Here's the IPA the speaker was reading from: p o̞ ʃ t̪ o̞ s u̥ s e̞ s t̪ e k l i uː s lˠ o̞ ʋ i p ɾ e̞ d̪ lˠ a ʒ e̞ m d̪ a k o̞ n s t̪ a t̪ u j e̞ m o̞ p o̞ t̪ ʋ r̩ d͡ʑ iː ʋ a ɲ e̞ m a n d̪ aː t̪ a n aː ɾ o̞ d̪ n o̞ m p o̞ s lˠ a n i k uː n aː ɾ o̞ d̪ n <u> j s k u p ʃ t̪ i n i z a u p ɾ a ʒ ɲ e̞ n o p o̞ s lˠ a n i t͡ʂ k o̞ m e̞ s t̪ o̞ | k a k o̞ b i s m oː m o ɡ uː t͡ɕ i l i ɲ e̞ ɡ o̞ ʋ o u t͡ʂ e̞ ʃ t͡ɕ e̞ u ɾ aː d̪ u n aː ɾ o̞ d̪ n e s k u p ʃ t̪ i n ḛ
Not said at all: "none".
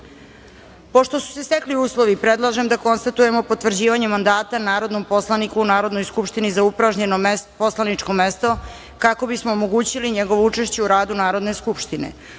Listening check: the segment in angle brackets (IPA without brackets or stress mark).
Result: o